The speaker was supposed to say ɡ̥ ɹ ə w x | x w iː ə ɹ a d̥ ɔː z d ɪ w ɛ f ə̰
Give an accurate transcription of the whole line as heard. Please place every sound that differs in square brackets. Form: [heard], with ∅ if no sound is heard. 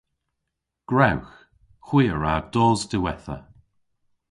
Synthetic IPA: ɡ̥ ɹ [a] w x | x w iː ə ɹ a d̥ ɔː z d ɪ w ɛ [θ] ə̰